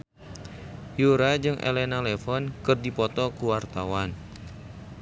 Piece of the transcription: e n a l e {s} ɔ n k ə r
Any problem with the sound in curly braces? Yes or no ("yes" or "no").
yes